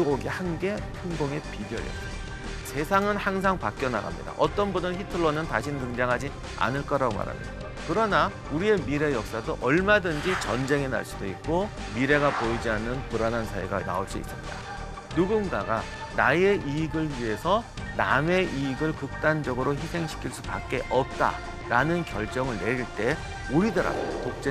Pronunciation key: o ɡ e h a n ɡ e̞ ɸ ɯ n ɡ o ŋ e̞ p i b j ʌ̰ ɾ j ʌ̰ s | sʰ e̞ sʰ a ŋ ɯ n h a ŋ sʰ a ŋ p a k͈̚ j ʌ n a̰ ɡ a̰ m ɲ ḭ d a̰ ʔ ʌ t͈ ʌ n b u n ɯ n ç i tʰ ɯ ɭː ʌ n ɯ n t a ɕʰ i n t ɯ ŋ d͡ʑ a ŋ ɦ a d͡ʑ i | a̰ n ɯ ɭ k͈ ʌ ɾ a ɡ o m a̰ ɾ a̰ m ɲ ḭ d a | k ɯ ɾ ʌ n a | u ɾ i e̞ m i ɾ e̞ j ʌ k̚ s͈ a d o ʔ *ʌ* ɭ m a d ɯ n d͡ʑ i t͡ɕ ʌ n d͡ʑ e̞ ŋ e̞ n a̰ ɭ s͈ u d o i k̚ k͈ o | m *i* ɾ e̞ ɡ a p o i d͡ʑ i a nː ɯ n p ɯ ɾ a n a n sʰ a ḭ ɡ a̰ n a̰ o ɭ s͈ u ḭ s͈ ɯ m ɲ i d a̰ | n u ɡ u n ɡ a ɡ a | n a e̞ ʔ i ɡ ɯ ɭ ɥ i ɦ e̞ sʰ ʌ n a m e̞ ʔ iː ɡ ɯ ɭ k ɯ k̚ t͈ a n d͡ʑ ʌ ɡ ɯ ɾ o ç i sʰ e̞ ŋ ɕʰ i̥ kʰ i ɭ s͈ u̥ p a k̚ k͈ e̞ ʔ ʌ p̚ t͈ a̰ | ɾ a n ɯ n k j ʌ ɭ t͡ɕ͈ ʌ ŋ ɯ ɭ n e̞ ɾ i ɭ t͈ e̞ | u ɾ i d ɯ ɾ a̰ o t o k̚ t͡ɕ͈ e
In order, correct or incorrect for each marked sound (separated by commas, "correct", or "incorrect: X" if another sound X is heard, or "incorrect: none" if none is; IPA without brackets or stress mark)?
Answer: correct, correct